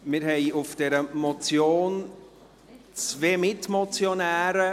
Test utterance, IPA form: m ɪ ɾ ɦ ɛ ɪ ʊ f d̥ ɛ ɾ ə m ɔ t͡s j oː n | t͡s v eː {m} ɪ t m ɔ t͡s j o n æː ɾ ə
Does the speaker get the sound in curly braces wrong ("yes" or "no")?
no